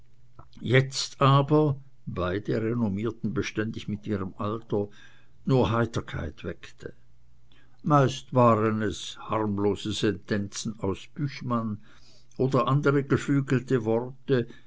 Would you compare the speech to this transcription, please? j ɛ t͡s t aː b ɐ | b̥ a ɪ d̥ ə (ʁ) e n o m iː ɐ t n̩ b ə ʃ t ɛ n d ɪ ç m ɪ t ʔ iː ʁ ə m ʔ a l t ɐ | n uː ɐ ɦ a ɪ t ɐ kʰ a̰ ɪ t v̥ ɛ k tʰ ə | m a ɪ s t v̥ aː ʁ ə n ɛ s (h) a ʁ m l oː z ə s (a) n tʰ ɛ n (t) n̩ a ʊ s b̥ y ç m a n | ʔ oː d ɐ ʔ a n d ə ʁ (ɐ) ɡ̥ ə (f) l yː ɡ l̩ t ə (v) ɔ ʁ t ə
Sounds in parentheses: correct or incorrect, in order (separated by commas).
correct, correct, incorrect, incorrect, incorrect, correct, correct